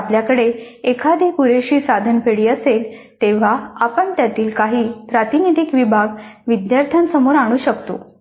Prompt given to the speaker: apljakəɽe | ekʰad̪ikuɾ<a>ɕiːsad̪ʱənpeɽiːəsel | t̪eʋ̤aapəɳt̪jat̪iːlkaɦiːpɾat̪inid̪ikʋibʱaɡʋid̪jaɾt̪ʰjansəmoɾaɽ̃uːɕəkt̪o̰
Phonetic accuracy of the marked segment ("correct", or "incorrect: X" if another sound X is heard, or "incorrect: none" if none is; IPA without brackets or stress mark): incorrect: e